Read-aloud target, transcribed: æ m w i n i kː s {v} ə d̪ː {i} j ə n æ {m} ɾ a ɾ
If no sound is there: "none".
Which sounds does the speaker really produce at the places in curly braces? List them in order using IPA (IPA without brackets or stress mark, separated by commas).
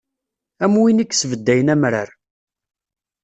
v, æ, m